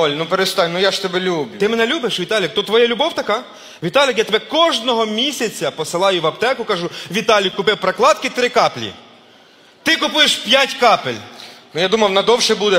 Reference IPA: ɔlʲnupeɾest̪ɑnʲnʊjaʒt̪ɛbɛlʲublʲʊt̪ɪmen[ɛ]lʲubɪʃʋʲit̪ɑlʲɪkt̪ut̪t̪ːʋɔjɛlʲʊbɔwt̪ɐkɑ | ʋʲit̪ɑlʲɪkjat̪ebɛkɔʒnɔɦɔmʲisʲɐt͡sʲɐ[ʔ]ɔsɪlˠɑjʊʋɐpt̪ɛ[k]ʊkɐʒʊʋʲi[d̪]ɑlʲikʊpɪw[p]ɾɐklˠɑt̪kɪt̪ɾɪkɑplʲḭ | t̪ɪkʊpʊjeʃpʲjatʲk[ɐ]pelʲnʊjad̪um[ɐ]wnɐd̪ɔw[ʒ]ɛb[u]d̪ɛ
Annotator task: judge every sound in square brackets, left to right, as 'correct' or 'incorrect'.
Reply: correct, incorrect: p, correct, incorrect: t̪, correct, incorrect: ɑ, correct, incorrect: ʃ, correct

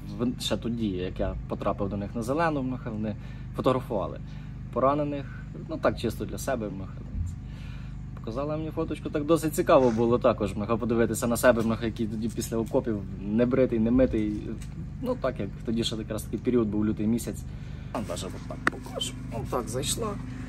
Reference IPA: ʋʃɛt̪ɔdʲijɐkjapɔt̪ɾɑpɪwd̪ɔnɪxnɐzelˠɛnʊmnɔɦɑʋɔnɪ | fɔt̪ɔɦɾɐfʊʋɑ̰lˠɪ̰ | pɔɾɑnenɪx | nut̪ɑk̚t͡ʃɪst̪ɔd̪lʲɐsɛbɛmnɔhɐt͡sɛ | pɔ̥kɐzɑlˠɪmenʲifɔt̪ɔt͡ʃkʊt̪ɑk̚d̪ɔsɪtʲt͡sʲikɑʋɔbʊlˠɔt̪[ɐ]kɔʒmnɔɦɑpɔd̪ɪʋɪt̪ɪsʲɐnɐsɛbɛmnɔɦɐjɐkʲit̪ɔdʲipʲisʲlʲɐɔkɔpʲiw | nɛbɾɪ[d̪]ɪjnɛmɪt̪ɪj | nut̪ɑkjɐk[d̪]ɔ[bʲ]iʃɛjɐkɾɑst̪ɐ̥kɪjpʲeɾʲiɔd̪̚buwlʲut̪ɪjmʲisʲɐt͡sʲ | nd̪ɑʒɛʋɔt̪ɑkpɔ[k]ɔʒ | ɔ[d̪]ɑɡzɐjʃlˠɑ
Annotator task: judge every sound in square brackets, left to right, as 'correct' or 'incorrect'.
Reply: incorrect: ɑ, incorrect: t̪, incorrect: t̪, incorrect: dʲ, correct, incorrect: t̪

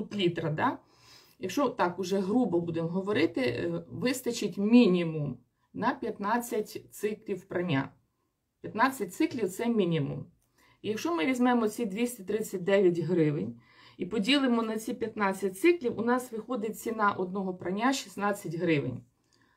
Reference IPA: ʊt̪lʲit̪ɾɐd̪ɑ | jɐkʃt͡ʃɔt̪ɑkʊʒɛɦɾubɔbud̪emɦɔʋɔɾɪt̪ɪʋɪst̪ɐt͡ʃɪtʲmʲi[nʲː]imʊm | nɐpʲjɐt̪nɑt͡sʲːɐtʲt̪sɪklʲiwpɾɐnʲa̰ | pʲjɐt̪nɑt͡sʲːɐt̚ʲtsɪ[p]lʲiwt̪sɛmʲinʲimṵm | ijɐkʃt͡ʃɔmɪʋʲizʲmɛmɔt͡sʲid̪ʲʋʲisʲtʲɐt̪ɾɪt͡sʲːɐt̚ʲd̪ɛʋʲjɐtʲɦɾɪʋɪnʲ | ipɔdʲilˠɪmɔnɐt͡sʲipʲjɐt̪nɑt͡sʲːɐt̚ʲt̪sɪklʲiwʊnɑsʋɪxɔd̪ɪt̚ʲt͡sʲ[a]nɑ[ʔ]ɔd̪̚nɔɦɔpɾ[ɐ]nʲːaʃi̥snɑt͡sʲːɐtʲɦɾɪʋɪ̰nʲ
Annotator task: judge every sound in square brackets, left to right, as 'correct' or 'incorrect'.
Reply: incorrect: nʲ, incorrect: k, incorrect: i, correct, correct

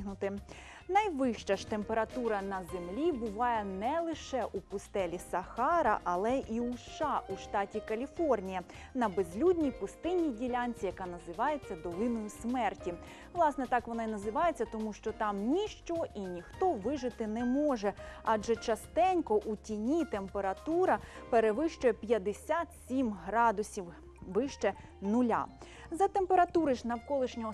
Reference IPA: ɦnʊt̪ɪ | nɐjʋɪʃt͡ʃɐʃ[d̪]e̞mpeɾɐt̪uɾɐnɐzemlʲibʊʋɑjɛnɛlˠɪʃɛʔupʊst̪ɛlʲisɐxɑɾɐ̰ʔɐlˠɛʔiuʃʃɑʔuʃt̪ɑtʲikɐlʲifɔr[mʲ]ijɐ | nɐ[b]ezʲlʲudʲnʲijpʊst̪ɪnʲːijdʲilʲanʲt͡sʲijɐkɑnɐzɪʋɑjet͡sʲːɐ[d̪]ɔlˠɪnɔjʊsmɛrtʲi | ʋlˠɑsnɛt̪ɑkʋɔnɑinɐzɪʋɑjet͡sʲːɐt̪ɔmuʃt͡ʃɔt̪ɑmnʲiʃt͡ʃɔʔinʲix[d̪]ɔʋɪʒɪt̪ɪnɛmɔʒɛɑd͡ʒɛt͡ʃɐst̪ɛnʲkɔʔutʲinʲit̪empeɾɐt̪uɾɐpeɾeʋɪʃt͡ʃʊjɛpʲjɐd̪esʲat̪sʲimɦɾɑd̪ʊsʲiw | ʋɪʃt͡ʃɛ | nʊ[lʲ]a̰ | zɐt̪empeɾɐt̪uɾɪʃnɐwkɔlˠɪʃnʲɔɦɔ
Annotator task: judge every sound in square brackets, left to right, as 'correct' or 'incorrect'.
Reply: incorrect: t̪, incorrect: nʲ, correct, correct, incorrect: t̪, correct

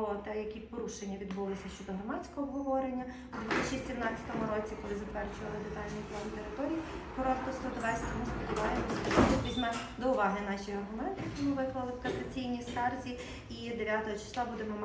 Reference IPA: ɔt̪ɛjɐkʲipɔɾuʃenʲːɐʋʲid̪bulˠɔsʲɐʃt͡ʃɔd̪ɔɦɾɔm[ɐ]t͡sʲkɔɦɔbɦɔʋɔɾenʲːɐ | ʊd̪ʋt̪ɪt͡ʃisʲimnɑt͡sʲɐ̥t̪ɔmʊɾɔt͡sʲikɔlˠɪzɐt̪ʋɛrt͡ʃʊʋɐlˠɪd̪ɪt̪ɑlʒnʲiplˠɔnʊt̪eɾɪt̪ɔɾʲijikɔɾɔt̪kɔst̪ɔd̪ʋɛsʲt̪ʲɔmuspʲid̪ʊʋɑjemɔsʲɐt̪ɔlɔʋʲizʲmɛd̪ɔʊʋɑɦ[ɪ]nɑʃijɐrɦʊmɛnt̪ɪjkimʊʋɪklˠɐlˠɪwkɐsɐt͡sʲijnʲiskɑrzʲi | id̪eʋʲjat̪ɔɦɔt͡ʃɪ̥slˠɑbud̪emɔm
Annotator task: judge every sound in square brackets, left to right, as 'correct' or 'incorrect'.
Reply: incorrect: ɑ, correct

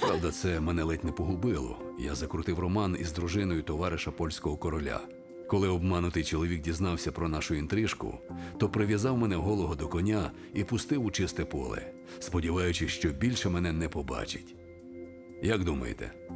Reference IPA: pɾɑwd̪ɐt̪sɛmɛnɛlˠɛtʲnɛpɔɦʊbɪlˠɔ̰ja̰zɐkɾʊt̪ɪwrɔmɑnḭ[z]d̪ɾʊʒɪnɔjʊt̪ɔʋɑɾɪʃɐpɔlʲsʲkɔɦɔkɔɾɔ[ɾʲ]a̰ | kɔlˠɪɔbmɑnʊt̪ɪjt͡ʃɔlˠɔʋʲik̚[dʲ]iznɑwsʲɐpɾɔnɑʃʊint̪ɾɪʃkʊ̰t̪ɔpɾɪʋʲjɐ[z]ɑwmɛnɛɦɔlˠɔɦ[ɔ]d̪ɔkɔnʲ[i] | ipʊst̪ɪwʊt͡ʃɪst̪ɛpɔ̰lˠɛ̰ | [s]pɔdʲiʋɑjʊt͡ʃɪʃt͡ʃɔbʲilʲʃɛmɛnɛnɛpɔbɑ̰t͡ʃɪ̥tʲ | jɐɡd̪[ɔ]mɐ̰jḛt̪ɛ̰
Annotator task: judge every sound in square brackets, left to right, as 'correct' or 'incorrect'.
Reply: correct, incorrect: lʲ, correct, correct, correct, incorrect: a, correct, incorrect: u

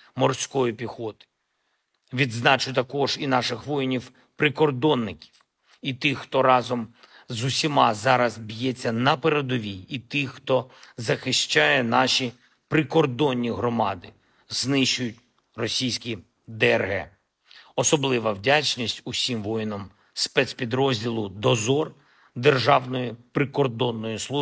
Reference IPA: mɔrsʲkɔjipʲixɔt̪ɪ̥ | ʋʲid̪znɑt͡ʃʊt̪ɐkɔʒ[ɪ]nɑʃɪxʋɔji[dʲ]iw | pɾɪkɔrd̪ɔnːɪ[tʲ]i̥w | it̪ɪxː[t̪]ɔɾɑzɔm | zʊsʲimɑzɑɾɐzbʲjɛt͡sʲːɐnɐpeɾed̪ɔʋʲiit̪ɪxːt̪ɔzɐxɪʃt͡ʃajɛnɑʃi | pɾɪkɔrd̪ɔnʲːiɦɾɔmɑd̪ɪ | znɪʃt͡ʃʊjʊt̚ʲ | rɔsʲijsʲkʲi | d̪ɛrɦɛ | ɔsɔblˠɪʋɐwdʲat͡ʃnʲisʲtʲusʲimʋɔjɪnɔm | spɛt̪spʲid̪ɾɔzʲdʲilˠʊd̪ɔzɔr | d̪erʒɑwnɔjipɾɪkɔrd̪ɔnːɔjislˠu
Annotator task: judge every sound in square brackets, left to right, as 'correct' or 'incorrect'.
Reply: incorrect: i, incorrect: nʲ, incorrect: kʲ, correct

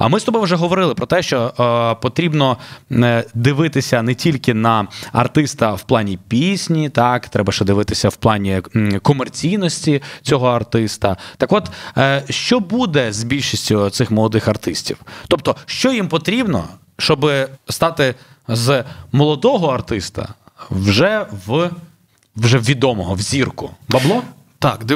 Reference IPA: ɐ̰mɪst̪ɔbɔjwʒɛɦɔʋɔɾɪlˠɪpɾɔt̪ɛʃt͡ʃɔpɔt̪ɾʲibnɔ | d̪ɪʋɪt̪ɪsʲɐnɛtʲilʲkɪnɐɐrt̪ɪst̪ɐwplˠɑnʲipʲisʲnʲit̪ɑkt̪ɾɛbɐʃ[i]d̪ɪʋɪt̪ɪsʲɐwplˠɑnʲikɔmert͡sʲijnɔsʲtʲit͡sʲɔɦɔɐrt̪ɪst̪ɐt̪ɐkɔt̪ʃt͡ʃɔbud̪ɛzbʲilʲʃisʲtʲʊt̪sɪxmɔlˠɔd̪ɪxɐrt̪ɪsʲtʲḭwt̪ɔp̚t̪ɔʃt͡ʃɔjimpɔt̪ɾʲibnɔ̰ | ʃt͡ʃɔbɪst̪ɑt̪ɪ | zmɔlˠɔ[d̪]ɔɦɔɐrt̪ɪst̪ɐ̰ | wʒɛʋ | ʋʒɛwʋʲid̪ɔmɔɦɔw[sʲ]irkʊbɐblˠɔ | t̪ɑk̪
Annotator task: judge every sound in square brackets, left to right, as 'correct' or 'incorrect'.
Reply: incorrect: ɛ, correct, incorrect: zʲ

